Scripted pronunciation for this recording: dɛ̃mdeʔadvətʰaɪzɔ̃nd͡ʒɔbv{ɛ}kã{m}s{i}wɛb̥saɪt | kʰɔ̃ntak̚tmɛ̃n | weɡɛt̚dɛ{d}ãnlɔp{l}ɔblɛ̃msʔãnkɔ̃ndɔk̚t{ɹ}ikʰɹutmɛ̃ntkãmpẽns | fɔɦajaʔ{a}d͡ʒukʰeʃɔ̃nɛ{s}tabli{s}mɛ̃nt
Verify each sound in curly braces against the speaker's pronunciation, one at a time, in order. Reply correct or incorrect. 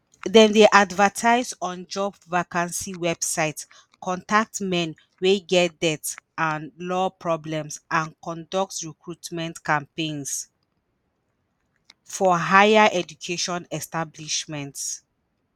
incorrect, incorrect, correct, incorrect, incorrect, correct, incorrect, correct, incorrect

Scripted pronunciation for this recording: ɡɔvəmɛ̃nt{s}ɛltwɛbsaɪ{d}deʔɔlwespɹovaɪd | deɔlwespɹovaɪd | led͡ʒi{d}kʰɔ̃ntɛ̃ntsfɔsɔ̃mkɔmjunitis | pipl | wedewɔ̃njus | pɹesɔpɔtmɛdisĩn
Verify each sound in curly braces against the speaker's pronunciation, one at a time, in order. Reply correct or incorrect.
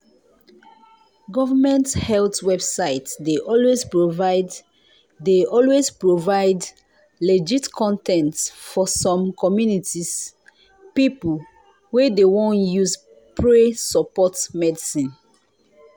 incorrect, incorrect, incorrect

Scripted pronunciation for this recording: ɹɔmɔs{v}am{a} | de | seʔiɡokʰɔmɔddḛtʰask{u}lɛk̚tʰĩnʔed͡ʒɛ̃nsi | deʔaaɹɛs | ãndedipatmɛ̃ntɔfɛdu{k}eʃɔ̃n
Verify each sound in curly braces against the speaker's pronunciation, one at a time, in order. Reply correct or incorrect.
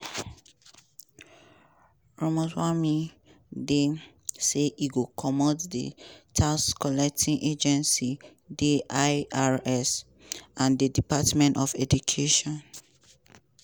incorrect, incorrect, incorrect, incorrect

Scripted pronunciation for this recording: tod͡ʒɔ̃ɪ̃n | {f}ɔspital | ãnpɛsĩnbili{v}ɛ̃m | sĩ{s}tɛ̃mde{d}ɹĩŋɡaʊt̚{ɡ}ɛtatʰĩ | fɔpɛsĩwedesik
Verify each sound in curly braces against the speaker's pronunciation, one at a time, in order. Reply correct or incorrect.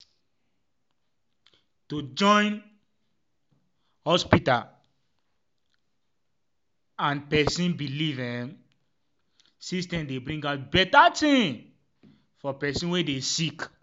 incorrect, correct, correct, incorrect, incorrect

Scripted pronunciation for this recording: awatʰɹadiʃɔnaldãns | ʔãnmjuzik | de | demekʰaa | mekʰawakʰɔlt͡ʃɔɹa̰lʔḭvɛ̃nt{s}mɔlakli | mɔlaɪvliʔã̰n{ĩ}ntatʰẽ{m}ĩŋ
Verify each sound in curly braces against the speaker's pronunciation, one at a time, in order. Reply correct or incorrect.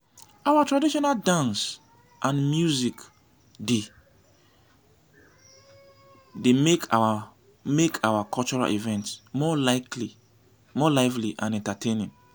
correct, incorrect, incorrect

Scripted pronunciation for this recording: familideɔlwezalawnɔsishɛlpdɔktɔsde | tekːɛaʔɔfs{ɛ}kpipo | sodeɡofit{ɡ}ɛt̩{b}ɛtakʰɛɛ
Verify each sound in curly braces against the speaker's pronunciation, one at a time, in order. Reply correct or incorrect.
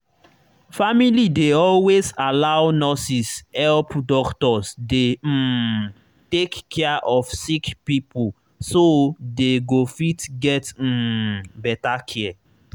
incorrect, correct, correct

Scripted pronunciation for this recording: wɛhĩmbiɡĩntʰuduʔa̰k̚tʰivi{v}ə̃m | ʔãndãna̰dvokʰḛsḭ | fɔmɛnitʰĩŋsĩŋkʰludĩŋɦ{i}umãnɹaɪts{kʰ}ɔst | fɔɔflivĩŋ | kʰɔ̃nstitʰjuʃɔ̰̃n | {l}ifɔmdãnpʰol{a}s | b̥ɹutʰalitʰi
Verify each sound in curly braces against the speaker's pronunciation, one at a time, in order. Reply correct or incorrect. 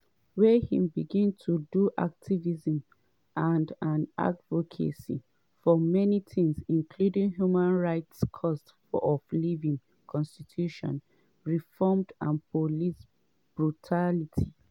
incorrect, incorrect, correct, incorrect, incorrect

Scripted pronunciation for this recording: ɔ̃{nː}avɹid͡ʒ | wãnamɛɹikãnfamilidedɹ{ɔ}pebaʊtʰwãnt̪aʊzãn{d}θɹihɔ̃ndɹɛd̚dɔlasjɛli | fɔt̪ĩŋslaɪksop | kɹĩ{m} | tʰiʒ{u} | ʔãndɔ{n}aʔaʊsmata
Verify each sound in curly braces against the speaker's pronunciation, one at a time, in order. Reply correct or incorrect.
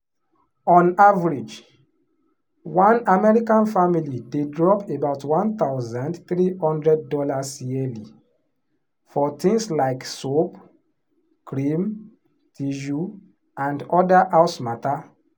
incorrect, correct, correct, correct, correct, incorrect

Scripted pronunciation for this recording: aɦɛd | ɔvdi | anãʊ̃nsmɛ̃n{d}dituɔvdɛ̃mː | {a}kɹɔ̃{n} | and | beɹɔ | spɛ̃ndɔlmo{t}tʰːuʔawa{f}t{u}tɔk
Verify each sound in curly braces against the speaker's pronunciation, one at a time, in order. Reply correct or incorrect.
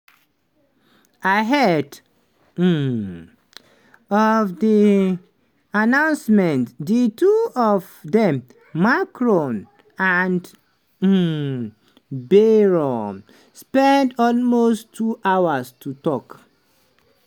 incorrect, correct, correct, incorrect, incorrect, correct

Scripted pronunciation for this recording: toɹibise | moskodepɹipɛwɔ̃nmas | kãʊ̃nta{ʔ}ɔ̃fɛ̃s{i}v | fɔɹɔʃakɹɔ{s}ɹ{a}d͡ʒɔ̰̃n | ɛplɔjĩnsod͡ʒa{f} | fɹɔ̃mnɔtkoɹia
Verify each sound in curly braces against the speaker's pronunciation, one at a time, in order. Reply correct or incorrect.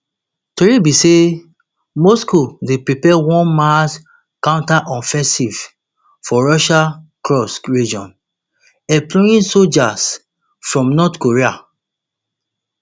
correct, correct, correct, incorrect, incorrect

